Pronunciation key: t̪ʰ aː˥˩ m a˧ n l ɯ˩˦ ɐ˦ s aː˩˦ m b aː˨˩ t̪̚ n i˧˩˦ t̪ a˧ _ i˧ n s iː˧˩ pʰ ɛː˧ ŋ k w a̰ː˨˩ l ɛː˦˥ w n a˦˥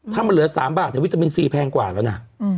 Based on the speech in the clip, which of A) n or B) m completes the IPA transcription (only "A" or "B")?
B